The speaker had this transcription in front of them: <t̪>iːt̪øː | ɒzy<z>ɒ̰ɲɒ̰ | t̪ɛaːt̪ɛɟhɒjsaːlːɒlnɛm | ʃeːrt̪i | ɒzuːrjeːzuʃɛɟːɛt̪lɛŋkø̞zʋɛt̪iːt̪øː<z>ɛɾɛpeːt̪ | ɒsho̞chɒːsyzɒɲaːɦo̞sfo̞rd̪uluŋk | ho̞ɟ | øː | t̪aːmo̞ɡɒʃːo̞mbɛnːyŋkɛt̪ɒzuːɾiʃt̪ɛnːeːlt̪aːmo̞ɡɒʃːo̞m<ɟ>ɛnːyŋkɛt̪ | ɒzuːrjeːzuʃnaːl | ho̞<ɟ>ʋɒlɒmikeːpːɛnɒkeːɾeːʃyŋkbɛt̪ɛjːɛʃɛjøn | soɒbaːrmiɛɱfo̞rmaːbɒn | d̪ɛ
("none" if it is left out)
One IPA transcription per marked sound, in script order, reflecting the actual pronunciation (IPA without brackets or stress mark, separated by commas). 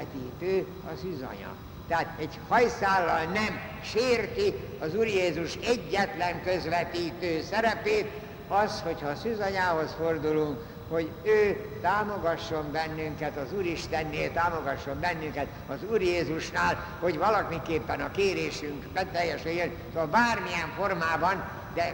t̪, z, s, b, ɟ